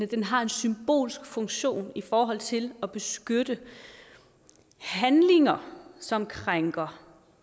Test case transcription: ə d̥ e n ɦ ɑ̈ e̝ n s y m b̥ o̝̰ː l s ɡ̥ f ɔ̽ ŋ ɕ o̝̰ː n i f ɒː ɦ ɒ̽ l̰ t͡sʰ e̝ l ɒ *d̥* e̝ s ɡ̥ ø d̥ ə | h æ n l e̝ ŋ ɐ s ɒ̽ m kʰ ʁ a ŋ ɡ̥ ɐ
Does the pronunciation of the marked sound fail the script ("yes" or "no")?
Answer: yes